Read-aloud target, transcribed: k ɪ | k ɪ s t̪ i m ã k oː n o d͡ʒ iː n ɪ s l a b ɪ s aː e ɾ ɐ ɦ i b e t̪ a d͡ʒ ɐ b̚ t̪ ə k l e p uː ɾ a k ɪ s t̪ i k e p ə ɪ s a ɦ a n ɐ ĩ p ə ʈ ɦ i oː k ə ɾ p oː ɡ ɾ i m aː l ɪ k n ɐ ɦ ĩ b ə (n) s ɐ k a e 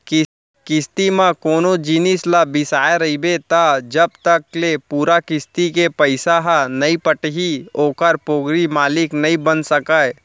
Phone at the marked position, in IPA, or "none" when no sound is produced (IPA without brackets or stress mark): n